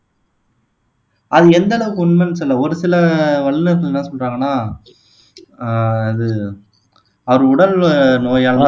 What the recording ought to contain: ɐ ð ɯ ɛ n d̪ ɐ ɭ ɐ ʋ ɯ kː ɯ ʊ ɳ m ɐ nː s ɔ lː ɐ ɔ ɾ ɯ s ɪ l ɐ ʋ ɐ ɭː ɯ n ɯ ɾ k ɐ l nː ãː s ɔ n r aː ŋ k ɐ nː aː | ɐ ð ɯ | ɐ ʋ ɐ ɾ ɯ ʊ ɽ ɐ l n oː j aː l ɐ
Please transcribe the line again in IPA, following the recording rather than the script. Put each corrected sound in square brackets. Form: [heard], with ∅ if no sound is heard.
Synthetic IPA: ɐ ð ɯ ɛ n d̪ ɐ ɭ ɐ ʋ ɯ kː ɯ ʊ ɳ m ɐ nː s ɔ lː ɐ ɔ ɾ ɯ s ɪ l ɐ ʋ ɐ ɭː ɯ n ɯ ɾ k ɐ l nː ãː s ɔ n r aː ŋ [ɡ] ɐ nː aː | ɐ ð ɯ | ɐ ʋ ɐ ɾ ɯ ʊ ɽ ɐ l n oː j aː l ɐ